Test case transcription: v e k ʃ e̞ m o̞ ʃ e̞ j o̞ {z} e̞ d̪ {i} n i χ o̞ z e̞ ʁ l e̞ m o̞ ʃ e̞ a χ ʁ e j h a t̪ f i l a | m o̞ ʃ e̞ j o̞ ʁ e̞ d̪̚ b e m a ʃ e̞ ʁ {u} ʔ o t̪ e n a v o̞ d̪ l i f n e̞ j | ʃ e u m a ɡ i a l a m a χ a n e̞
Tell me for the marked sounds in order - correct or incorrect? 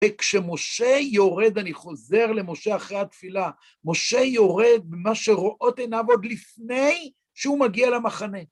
incorrect: ʁ, incorrect: a, incorrect: o

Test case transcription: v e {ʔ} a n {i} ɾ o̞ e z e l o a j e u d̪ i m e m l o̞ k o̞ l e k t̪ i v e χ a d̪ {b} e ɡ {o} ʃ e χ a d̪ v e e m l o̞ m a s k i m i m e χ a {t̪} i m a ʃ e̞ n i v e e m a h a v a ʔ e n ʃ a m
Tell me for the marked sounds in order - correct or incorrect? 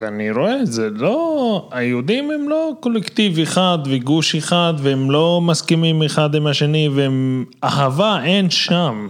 incorrect: none, correct, incorrect: v, incorrect: u, incorrect: d̪

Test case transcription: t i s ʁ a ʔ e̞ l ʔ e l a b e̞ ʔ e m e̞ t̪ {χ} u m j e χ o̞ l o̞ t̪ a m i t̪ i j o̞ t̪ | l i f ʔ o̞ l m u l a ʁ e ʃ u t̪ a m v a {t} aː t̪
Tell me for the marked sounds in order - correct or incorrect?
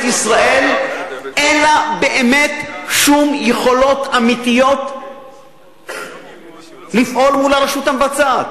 incorrect: ʃ, incorrect: t͡s

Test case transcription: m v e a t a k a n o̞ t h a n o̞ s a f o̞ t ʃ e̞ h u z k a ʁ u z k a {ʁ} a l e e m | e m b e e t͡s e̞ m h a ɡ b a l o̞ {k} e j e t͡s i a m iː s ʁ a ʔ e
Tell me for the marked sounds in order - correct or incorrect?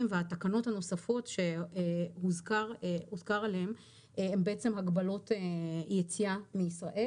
correct, incorrect: t

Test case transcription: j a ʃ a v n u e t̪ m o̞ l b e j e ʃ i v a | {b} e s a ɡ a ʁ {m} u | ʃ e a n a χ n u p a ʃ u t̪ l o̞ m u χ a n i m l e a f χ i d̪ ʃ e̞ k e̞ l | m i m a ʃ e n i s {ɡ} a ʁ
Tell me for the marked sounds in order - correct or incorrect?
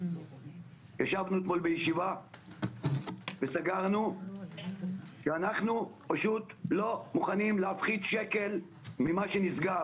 incorrect: v, incorrect: n, correct

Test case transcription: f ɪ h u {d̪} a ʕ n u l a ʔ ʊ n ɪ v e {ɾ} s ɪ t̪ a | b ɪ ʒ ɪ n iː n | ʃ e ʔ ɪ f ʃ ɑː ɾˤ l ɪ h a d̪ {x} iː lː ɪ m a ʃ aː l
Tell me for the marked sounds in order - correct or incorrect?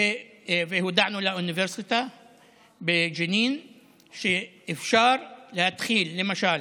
correct, correct, correct

